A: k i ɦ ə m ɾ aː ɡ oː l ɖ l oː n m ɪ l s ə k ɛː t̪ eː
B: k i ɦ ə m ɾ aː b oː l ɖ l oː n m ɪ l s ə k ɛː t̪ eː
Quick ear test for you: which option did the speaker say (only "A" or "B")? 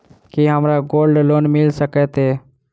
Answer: A